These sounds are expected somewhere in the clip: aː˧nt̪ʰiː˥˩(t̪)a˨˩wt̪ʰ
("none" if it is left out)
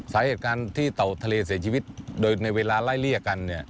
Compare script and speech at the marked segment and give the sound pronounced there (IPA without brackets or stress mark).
t̪